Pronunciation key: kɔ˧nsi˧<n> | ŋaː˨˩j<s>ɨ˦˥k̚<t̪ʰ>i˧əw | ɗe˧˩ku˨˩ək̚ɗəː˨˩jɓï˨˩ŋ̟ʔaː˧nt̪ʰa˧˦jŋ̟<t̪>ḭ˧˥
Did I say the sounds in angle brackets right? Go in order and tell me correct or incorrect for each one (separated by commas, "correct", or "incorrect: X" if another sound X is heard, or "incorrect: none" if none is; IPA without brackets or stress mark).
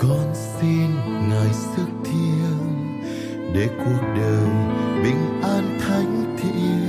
correct, correct, correct, incorrect: t̪ʰ